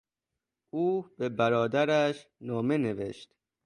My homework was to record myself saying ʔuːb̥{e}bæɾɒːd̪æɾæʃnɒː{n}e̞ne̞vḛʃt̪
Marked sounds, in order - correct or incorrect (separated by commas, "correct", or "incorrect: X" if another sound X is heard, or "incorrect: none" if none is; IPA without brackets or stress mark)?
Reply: correct, incorrect: m